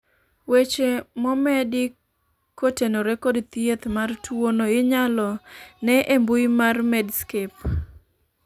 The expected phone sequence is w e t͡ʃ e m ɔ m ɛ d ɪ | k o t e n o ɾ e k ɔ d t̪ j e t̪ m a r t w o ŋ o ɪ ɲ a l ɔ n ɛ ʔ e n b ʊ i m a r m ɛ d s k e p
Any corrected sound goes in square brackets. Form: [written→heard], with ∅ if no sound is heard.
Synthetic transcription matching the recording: w e t͡ʃ e m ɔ m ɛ d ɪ | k o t e n o ɾ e k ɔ d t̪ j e t̪ m a r t w o [ŋ→n] o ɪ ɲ a l ɔ n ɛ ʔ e [n→m] b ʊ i m a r m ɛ d s k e p